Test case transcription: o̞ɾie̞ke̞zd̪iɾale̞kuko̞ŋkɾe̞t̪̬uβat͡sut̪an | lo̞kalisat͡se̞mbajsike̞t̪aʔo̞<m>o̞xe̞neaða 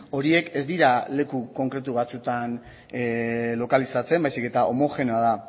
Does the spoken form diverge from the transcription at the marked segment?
no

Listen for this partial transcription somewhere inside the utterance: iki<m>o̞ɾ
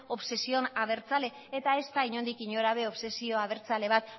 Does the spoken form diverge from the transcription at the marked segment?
yes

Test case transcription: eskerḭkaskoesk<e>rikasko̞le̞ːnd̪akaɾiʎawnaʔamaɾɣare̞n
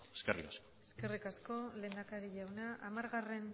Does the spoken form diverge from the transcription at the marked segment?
no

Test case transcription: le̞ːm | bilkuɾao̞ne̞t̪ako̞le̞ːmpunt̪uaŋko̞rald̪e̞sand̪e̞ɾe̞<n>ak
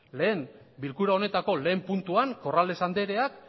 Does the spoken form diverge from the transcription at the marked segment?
yes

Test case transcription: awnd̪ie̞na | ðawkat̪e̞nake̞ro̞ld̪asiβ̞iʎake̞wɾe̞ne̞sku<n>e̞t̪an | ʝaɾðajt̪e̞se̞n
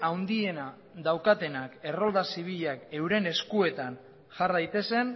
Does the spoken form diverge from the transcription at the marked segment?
yes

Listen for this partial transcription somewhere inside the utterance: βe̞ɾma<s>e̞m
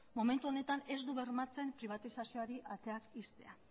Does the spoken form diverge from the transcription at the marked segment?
yes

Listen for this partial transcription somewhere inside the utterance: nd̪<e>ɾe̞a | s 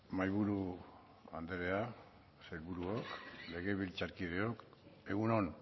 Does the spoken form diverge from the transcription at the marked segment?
no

